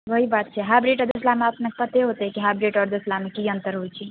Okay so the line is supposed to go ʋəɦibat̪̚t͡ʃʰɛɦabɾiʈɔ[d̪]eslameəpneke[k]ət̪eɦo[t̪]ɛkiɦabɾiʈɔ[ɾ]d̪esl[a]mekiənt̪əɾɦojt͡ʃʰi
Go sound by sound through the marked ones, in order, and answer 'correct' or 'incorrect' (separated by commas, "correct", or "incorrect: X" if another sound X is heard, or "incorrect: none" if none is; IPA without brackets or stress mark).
correct, incorrect: p, correct, correct, correct